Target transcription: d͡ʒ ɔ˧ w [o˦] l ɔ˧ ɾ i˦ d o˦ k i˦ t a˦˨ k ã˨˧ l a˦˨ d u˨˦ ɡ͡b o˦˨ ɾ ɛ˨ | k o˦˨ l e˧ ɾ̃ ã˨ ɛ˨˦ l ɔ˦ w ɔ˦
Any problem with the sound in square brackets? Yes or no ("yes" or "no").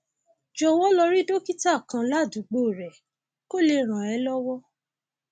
yes